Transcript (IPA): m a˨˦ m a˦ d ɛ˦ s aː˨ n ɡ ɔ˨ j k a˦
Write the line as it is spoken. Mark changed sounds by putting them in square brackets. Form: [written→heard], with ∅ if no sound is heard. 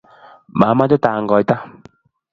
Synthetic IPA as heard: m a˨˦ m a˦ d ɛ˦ [s→t] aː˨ [n→ŋ] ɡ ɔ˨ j [k→t] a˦